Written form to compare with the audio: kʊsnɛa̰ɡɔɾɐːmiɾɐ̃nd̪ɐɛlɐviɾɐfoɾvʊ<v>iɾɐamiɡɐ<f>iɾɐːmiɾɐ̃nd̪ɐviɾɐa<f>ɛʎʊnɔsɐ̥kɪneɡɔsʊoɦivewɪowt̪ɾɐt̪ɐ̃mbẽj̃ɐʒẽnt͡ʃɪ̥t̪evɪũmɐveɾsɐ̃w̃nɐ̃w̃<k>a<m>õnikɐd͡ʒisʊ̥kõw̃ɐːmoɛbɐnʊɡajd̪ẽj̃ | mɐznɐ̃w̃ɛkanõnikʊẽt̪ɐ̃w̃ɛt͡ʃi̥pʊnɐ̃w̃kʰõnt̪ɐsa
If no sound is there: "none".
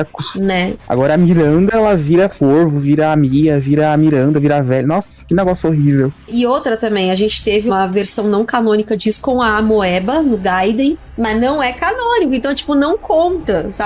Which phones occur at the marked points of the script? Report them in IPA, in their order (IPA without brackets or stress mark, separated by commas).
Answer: v, v, v, k, n